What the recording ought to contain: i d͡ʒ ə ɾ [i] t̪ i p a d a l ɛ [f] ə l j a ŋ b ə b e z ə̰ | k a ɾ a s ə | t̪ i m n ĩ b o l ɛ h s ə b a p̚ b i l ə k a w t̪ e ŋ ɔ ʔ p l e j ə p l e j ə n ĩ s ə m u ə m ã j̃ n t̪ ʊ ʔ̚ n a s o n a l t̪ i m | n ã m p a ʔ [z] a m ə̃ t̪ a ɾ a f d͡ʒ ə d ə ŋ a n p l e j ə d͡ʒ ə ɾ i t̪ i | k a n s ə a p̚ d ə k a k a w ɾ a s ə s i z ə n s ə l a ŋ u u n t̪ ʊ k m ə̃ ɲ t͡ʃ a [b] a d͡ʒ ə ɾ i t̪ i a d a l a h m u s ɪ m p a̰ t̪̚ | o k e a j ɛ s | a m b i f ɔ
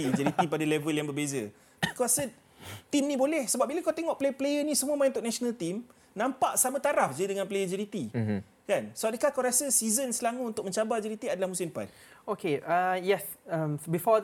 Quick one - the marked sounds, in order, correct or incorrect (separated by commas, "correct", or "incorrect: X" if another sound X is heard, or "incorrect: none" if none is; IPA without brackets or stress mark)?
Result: correct, incorrect: v, incorrect: s, correct